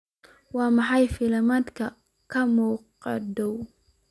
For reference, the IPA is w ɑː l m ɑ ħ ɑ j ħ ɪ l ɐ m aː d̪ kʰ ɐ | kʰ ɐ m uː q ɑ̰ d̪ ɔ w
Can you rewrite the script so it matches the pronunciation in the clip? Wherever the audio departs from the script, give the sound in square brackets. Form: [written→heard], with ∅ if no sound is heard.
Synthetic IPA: w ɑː [l→∅] m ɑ ħ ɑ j [ħ→f] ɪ l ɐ m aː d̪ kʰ ɐ | kʰ ɐ m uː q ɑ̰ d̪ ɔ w